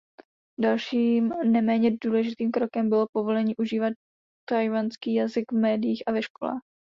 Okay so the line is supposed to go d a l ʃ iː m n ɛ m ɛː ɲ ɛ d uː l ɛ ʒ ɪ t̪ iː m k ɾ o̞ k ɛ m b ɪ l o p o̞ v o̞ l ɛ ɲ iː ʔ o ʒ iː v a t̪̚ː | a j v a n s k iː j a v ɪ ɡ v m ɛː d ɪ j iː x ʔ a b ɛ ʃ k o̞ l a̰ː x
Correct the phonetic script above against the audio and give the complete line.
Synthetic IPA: d a l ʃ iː m n ɛ m ɛː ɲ ɛ d uː l ɛ ʒ ɪ t̪ iː m k ɾ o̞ k ɛ m b ɪ l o p o̞ v o̞ l ɛ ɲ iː ʔ u ʒ iː v a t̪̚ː | a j v a n s k iː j a z ɪ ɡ v m ɛː d ɪ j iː x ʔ a v ɛ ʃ k o̞ l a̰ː x